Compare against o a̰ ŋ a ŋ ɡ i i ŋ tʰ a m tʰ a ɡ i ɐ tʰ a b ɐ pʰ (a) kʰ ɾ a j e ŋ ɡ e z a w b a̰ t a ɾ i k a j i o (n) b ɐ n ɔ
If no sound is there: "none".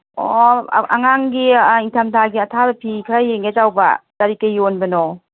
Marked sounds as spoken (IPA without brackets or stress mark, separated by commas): i, n